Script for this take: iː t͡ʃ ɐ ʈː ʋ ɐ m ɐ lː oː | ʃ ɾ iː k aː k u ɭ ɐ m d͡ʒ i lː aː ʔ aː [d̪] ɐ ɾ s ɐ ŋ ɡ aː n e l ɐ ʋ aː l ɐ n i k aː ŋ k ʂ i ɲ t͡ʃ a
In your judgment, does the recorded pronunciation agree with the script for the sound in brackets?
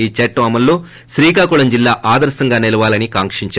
yes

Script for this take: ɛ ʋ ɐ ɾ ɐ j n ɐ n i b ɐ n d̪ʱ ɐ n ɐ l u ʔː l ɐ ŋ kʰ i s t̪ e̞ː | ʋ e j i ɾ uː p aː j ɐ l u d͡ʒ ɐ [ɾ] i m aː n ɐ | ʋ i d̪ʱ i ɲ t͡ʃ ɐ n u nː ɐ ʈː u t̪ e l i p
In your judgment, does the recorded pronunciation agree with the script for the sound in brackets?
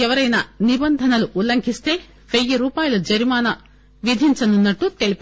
yes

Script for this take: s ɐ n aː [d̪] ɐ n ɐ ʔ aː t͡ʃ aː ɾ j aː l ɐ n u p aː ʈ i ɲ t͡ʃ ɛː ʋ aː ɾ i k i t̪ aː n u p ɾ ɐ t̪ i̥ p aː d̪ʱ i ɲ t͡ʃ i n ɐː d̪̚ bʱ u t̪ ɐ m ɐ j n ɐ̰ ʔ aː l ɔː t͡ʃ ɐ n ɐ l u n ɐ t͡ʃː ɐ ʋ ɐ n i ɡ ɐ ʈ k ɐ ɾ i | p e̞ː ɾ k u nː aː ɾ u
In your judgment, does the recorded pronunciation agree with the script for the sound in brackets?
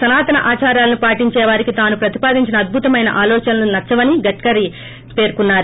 no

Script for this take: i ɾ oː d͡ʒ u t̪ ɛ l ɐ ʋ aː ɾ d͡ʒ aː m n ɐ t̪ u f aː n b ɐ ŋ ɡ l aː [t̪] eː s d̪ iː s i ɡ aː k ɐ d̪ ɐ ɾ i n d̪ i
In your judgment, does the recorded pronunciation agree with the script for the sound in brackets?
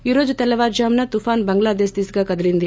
no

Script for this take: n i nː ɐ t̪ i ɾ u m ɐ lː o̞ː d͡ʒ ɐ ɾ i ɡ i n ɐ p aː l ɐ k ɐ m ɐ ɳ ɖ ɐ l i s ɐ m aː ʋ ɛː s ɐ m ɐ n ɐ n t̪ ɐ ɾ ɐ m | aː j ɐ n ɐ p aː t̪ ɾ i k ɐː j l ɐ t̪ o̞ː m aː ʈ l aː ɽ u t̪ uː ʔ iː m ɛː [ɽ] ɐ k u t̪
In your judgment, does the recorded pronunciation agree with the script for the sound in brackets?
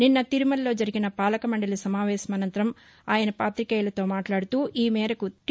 no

